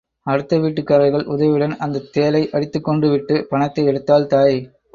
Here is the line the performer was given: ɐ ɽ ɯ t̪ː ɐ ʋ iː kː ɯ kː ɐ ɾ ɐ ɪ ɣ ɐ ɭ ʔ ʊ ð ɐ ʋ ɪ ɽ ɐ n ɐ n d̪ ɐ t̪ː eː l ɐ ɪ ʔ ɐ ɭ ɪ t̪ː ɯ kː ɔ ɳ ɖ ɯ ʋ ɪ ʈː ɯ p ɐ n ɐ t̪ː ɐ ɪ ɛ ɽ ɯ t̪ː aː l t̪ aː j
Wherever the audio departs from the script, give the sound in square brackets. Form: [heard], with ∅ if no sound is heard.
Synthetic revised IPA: ɐ ɽ ɯ t̪ː ɐ ʋ iː [ʈː] ɯ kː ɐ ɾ ɐ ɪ ɣ ɐ ɭ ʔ ʊ ð ɐ ʋ ɪ ɽ ɐ n ɐ n d̪ ɐ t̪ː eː l ɐ ɪ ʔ ɐ [ɽ] ɪ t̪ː ɯ kː ɔ ɳ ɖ ɯ ʋ ɪ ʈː ɯ p ɐ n ɐ t̪ː ɐ ɪ ɛ ɽ ɯ t̪ː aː l t̪ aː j